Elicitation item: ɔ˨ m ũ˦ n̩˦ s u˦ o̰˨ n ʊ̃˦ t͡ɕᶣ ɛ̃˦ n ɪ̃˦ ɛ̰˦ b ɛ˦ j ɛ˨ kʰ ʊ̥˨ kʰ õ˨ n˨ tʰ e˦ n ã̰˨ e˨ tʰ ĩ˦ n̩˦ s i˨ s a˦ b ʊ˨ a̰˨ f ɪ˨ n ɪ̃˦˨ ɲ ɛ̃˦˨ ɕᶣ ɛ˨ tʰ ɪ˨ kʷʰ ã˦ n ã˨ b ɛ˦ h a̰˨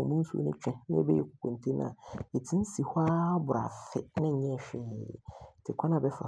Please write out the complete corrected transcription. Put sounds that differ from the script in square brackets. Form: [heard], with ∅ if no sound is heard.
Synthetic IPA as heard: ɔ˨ m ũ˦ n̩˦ s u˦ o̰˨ n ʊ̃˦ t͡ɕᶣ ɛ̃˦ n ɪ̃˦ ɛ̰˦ b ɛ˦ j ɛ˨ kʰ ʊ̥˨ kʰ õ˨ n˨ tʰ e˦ n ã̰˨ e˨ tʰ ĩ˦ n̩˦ s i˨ [h] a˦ b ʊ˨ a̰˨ f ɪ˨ n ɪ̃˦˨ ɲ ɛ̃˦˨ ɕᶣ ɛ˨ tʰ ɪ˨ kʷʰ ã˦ n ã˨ b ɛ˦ [f] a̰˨